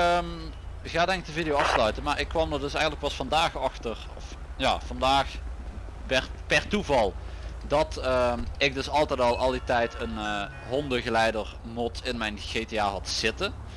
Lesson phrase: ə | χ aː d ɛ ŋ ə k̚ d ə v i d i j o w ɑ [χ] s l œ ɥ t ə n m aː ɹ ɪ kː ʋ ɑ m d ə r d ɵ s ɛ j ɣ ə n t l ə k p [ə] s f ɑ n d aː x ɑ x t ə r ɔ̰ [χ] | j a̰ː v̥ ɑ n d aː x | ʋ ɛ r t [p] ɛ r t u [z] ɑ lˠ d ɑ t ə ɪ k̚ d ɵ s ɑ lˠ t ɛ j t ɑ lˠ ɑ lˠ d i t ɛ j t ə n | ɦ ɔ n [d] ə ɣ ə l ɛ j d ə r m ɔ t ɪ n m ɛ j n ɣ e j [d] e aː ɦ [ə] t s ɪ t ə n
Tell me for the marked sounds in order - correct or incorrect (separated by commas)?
incorrect, incorrect, incorrect, correct, incorrect, correct, incorrect, incorrect